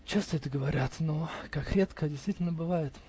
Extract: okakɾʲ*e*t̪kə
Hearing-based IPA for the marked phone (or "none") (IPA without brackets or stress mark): e